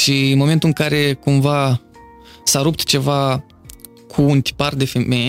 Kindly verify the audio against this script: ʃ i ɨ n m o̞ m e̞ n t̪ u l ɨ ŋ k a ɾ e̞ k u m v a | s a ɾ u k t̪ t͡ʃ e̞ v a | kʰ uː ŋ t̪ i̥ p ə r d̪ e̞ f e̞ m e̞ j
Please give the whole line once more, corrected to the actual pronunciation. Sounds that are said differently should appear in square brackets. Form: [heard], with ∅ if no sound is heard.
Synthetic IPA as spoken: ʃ i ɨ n m o̞ m e̞ n t̪ u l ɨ ŋ k a ɾ e̞ k u m v a | s a ɾ u [p] t̪ t͡ʃ e̞ v a | kʰ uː [n] t̪ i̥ p [a] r d̪ e̞ f e̞ m e̞ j